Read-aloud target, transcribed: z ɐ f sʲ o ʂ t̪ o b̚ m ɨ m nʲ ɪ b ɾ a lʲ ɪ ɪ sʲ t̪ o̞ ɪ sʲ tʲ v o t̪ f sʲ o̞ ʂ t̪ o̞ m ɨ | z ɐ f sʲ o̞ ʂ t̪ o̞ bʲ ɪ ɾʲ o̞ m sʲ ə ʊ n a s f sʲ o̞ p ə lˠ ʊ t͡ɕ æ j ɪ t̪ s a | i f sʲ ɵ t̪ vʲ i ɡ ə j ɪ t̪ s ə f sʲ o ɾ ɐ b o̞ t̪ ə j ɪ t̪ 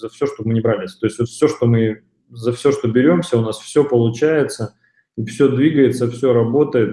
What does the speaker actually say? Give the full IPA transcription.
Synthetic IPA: z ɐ f sʲ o ʂ t̪ o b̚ m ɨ nʲ ɪ b ɾ a lʲ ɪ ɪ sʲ t̪ o̞ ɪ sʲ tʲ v o t̪ f sʲ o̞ ʂ t̪ o̞ m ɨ | z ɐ f sʲ o̞ ʂ t̪ o̞ bʲ ɪ ɾʲ o̞ m sʲ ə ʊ n a s f sʲ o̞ p ə lˠ ʊ t͡ɕ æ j ɪ t̪ s ə | i f sʲ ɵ d̪ vʲ i ɡ ə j ɪ t̪ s ə f sʲ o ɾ ɐ b o̞ t̪ ə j ɪ t̪

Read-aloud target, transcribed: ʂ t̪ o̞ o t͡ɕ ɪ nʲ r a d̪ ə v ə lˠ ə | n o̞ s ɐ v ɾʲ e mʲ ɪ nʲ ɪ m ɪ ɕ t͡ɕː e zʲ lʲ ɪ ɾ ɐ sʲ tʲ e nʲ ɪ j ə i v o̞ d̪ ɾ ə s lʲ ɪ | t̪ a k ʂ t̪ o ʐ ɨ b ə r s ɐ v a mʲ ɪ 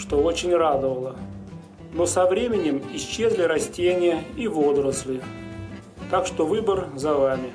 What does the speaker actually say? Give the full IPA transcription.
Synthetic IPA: ʂ t̪ o̞ o t͡ɕ ɪ nʲ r a d̪ ə v ə lˠ ə | n o̞ s ɐ v ɾʲ e mʲ ɪ nʲ ɪ m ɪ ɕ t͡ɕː e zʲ lʲ ɪ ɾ ɐ sʲ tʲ e nʲ ɪ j ə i v o̞ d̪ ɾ ə s lʲ ɪ | t̪ a k ʂ t̪ o v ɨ b ə r z ɐ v a mʲ ɪ

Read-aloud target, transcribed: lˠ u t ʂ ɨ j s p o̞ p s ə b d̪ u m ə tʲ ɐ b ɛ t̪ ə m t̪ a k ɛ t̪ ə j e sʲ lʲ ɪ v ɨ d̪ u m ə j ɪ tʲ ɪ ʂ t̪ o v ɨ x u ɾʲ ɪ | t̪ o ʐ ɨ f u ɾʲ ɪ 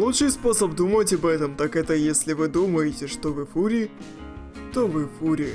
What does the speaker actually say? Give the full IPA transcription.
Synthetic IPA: lˠ u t ʂ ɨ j s p o̞ s ə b d̪ u m ə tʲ ɐ b ɛ t̪ ə m t̪ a k ɛ t̪ ə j e sʲ lʲ ɪ v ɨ d̪ u m ə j ɪ tʲ ɪ ʂ t̪ o v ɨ f u ɾʲ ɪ | t̪ o v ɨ f u ɾʲ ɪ

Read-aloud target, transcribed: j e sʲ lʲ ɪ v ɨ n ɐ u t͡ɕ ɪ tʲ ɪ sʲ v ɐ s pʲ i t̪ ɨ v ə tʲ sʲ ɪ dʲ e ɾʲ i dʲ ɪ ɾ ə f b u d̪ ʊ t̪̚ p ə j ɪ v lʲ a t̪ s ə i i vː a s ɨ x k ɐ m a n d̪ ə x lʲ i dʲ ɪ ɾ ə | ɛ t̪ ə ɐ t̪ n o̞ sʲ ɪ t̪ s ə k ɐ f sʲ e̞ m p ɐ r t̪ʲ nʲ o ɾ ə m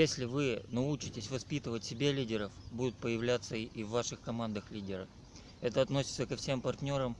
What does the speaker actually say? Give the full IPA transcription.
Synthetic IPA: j e sʲ lʲ ɪ v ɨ n ɐ u t͡ɕ ɪ tʲ ɪ sʲ v ɐ s pʲ i t̪ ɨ v ə tʲ sʲ ɪ bʲ e lʲ i dʲ ɪ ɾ ə f b u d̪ ʊ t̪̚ p ə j ɪ v lʲ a t̪ s ə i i vː a ʂ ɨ x k ɐ m a n d̪ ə x lʲ i dʲ ɪ ɾ ə | ɛ t̪ ə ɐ t̪ n o̞ sʲ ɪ t̪ s ə k ɐ f sʲ e̞ m p ɐ r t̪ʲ nʲ o ɾ ə m

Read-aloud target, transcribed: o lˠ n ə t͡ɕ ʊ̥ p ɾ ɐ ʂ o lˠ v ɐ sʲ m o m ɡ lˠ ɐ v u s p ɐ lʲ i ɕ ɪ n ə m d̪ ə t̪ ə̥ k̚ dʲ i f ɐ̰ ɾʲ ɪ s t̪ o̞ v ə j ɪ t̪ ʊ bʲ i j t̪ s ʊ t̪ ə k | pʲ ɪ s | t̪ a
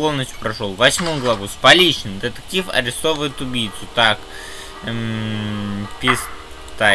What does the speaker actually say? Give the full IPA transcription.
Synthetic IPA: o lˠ n ə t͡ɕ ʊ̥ p ɾ ɐ ʂ o lˠ v ɐ sʲ m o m ɡ lˠ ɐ v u s p ɐ lʲ i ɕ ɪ n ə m d̪ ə t̪ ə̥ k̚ tʲ i f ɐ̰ ɾʲ ɪ s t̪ o̞ v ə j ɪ t̪ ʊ bʲ i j t̪ s ʊ t̪ a k | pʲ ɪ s | t̪ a

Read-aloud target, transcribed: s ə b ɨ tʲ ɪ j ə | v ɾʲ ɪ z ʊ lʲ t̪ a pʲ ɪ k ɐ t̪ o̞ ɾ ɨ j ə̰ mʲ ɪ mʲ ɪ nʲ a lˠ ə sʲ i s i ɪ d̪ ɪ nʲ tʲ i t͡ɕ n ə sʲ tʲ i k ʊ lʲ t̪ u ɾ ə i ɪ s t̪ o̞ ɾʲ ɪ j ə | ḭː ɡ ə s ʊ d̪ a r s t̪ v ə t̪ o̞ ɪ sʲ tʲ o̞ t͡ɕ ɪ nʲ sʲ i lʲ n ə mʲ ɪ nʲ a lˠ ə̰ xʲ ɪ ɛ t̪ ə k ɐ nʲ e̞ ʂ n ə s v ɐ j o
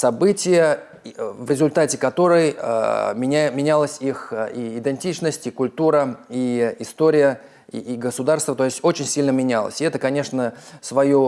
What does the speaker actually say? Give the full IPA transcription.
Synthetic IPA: s ɐ b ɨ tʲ ɪ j ə | v ɾʲ ɪ z ʊ lʲ t̪ a tʲ ɪ k ɐ t̪ o̞ ɾ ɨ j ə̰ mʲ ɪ mʲ ɪ nʲ a lˠ ə sʲ i x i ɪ d̪ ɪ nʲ tʲ i t͡ɕ n ə sʲ tʲ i k ʊ lʲ t̪ u ɾ ə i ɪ s t̪ o̞ ɾʲ ɪ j ə | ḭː ɡ ə s ʊ d̪ a r s t̪ v ə t̪ o̞ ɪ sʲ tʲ o̞ t͡ɕ ɪ nʲ sʲ i lʲ n ə mʲ ɪ nʲ a lˠ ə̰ sʲ ɪ ɛ t̪ ə k ɐ nʲ e̞ ʂ n ə s v ɐ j o

